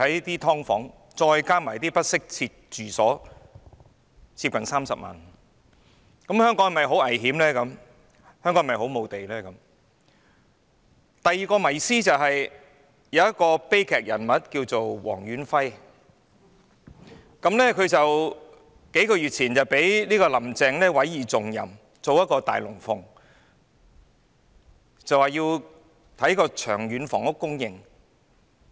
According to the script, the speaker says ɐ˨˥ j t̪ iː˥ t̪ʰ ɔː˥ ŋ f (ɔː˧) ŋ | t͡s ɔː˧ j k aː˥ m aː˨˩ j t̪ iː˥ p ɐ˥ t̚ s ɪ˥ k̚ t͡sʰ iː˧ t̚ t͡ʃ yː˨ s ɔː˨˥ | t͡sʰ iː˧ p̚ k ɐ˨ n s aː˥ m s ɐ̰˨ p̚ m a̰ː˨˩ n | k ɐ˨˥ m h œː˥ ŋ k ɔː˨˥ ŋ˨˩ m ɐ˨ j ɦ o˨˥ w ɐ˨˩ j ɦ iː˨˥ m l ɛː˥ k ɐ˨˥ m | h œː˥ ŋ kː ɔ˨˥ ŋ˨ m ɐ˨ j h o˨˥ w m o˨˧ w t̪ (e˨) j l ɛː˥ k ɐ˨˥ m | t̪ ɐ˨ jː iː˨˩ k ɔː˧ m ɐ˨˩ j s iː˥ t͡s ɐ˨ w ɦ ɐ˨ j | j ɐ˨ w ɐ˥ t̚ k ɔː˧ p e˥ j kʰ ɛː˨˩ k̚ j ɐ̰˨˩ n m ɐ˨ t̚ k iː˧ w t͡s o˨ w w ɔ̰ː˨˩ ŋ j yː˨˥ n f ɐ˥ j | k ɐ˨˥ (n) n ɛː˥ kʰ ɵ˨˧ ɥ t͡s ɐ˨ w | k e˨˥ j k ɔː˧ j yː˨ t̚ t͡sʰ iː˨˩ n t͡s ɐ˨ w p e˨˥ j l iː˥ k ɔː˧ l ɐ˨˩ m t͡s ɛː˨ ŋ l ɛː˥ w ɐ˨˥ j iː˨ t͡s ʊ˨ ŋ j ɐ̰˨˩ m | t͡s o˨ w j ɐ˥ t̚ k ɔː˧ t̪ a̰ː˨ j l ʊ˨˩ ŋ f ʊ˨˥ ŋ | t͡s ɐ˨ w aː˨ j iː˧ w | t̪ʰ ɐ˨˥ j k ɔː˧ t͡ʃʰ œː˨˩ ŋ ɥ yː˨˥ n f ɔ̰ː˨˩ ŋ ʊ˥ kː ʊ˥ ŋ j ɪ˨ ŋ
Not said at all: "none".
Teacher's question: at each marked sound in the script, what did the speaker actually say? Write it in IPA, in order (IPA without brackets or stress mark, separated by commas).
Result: ɔː˨˥, e˨, m